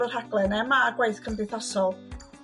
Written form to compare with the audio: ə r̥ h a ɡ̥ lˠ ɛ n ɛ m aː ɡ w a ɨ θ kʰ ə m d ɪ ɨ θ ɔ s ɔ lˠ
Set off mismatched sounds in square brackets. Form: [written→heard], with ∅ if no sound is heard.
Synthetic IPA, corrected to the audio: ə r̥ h a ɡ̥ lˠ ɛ n ɛ m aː ɡ w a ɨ θ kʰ ə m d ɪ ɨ θ ɔ s ɔ lˠ